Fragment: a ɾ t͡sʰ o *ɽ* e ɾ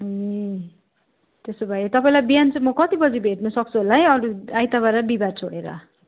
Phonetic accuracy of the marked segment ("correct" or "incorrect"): correct